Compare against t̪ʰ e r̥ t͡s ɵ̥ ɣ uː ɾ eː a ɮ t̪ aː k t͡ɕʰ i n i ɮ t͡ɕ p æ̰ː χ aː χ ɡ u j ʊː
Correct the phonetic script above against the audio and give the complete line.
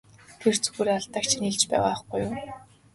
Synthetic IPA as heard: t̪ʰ e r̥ t͡s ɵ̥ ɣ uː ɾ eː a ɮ t̪ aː k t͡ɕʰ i n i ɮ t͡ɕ p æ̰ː ʁ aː χ ɡ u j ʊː